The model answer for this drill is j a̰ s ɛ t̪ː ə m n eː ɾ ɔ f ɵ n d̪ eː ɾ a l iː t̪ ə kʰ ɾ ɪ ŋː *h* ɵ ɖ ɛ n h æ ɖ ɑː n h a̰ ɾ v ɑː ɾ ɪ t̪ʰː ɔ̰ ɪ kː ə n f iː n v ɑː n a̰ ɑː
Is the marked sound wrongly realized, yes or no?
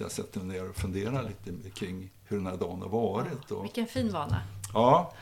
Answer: no